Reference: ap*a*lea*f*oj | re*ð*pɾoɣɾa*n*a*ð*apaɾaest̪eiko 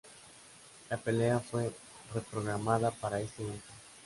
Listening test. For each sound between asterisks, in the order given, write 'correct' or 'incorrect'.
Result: incorrect: e, correct, incorrect: none, incorrect: m, correct

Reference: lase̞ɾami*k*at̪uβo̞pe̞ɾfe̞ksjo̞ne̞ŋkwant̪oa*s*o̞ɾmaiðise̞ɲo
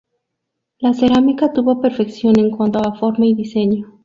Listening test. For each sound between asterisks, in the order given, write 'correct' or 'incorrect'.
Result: correct, incorrect: f

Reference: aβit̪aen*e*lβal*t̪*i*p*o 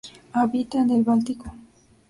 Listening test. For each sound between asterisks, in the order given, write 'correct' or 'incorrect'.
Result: correct, correct, incorrect: k

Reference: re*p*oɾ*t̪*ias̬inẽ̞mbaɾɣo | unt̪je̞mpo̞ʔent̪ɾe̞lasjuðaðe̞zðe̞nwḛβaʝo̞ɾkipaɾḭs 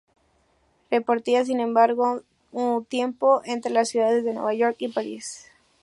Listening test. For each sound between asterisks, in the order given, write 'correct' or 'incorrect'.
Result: correct, correct

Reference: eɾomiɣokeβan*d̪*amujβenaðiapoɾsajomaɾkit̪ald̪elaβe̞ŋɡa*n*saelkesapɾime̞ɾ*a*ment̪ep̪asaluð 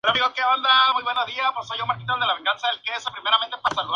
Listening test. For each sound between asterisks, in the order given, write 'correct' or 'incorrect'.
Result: correct, correct, correct

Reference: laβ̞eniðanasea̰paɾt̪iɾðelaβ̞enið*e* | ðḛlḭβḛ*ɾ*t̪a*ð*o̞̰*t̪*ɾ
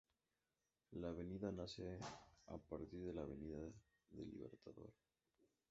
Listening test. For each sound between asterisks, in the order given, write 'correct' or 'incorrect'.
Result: incorrect: a, correct, correct, incorrect: none

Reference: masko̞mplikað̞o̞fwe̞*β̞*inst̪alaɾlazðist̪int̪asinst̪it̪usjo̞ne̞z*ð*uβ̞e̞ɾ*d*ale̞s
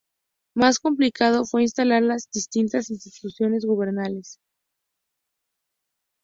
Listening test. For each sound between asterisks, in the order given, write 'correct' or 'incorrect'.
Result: incorrect: none, incorrect: ɣ, incorrect: n

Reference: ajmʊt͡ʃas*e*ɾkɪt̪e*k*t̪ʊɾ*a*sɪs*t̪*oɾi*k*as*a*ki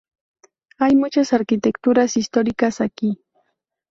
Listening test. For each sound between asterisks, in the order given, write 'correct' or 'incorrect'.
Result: incorrect: a, correct, correct, correct, correct, correct

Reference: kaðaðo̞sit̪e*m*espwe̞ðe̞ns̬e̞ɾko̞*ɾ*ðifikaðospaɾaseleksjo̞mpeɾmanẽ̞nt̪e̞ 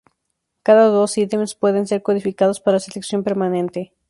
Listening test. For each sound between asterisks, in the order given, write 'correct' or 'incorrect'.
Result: correct, incorrect: none

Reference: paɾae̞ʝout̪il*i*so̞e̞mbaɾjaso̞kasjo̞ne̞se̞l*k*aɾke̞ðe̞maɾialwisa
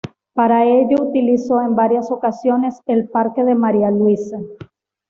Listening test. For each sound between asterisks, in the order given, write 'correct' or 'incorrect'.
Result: correct, incorrect: p

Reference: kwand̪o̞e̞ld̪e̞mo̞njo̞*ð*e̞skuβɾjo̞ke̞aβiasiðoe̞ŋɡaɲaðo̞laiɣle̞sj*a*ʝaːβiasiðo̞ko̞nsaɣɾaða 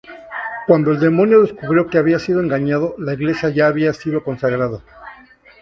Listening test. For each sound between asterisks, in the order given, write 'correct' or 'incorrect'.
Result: correct, correct

